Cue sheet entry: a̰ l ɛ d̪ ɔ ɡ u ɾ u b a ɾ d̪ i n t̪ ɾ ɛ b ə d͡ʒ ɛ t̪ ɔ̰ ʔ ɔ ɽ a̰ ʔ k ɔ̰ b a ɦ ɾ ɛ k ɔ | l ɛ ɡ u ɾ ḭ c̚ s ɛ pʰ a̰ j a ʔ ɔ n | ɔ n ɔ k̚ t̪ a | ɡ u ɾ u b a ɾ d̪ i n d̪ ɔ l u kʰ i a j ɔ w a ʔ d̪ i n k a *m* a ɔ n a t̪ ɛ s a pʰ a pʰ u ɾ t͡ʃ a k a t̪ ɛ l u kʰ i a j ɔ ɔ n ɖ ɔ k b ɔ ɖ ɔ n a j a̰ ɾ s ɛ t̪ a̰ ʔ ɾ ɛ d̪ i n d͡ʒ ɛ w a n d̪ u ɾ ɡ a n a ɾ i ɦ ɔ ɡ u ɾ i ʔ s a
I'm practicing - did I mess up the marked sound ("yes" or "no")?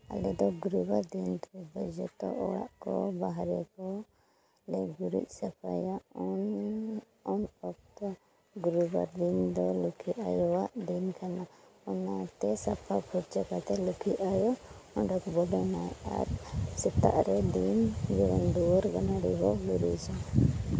yes